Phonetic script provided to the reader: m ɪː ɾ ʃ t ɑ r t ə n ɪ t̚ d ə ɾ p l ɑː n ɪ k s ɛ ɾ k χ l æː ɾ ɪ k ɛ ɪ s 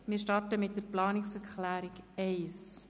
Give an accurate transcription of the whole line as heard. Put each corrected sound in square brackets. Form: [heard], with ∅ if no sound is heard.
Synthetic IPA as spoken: m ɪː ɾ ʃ t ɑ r t ə [m] ɪ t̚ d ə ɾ p l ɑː n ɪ k s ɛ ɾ k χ l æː ɾ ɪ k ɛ ɪ s